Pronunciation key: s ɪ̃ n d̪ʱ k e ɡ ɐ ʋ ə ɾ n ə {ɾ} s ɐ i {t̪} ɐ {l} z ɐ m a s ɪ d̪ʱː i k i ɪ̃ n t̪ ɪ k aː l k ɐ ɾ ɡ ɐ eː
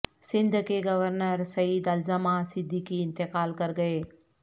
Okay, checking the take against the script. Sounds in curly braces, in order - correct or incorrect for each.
correct, incorrect: d̪, correct

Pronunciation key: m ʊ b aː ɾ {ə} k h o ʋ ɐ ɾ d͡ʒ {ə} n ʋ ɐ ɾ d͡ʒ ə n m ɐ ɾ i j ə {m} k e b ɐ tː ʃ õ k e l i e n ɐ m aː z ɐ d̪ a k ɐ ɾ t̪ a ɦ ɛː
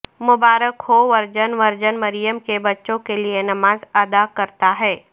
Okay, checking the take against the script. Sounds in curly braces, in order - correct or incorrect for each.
correct, correct, correct

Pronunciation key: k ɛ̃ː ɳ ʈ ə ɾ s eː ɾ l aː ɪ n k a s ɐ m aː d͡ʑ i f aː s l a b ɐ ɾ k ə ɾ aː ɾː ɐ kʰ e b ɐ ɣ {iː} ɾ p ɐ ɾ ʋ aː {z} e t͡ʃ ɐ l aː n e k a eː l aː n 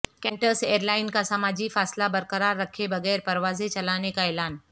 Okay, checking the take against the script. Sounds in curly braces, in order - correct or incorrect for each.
incorrect: ɛː, correct

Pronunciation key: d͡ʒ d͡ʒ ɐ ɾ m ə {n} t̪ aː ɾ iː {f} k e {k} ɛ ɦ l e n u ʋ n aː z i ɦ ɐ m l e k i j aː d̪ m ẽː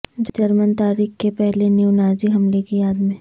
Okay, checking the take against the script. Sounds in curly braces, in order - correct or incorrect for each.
correct, incorrect: x, incorrect: p

